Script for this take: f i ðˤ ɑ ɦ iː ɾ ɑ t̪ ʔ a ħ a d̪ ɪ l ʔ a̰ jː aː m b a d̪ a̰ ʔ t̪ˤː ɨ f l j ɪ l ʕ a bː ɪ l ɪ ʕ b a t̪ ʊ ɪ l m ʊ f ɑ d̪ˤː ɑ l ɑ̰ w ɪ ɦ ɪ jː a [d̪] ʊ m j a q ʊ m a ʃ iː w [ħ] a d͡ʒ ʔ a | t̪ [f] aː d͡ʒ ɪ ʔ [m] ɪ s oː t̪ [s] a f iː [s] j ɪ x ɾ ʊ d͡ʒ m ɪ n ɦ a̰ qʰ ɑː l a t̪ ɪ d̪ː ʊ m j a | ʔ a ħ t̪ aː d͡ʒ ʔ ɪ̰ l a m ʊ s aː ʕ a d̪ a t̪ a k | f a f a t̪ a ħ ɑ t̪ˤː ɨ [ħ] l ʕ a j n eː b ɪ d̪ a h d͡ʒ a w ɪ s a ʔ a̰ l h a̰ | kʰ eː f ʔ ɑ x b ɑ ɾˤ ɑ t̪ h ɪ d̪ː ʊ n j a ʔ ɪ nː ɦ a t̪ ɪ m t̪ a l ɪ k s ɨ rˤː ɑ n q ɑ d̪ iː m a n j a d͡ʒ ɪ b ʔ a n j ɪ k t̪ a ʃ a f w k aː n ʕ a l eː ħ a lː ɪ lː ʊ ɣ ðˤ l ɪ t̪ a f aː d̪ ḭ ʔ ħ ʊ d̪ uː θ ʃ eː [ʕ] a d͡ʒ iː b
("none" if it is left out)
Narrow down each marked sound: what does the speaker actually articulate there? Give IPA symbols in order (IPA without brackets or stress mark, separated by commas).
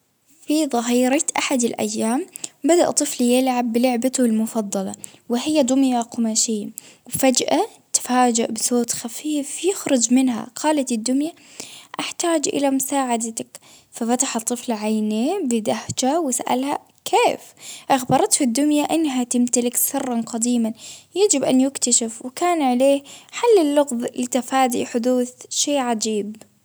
d̪, f, f, b, x, f, f, ʕ